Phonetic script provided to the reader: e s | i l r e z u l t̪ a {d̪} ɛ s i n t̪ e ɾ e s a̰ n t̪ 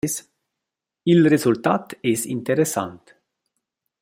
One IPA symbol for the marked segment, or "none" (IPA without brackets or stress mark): t̪